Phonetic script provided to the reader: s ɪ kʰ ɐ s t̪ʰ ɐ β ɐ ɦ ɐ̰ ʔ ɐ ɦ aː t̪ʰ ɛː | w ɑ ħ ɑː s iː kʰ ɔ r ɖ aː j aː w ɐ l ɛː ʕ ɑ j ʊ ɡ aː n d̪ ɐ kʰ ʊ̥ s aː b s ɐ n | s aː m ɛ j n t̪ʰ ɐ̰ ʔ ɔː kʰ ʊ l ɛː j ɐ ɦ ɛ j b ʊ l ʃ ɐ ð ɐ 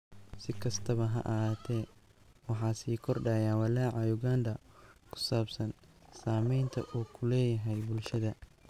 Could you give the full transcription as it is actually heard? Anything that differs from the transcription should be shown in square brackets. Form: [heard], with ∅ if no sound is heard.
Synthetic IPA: s ɪ kʰ ɐ s t̪ʰ ɐ β ɐ ɦ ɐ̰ ʔ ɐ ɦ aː t̪ʰ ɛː | w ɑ ħ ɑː s iː kʰ ɔ r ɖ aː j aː w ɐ l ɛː ʕ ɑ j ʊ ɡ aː n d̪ ɐ kʰ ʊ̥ s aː b s ɐ n | s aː m ɛ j n t̪ʰ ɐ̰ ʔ [uː] kʰ ʊ l ɛː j ɐ ɦ ɛ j b ʊ l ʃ ɐ ð ɐ